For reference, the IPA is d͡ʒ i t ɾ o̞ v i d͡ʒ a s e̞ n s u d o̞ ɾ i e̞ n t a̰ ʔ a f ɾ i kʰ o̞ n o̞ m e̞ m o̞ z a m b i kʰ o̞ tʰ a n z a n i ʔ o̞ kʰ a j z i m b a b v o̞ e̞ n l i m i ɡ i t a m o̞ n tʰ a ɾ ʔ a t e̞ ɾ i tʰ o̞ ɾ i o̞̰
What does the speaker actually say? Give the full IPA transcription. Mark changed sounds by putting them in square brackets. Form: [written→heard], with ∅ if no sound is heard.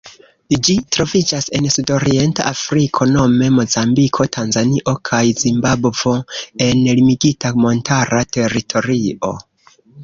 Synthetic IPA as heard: d͡ʒ i t ɾ o̞ v i d͡ʒ a s e̞ n s u d o̞ ɾ i e̞ n t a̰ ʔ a f ɾ i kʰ o̞ n o̞ m e̞ m o̞ z a m b i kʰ o̞ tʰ a n z a n i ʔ o̞ kʰ a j z i m b a b v o̞ e̞ n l i m i ɡ i t a m o̞ n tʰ a ɾ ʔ a t e̞ ɾ i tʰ o̞ ɾ i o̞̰